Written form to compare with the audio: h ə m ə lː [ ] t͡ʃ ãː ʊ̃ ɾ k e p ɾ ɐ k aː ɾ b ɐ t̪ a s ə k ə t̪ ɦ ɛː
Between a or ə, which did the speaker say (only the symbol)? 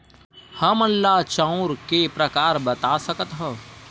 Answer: a